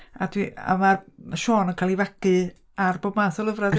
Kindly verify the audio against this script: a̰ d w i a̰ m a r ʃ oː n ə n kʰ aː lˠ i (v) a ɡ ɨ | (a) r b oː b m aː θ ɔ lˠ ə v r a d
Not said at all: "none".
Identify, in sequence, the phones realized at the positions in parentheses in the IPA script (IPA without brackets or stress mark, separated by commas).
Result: v, a